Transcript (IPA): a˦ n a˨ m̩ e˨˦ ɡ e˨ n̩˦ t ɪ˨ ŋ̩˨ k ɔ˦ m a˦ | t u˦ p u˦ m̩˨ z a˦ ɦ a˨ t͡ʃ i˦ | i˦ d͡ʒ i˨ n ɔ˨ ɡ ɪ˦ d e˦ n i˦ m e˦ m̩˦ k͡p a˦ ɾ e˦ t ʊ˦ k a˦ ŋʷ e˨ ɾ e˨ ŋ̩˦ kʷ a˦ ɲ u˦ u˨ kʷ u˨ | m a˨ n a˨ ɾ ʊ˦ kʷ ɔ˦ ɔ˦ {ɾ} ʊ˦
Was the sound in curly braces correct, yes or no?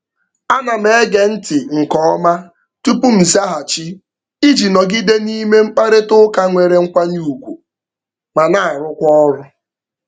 yes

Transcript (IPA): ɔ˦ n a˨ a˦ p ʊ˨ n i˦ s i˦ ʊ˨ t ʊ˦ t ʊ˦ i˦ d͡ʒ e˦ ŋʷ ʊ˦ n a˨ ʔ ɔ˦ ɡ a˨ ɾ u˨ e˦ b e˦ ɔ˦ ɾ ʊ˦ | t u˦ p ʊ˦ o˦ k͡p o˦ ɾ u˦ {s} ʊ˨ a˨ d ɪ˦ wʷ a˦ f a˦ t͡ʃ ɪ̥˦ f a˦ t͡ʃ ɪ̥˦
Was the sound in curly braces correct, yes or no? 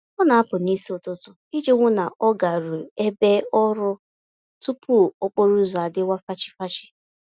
no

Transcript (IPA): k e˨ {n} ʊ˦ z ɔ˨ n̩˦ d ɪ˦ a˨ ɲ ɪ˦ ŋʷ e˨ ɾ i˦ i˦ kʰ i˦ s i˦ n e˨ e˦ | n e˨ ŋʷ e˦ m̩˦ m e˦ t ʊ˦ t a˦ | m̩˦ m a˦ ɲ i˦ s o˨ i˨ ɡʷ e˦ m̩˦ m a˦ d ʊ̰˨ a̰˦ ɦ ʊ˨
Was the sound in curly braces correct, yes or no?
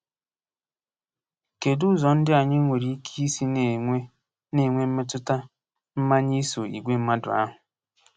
no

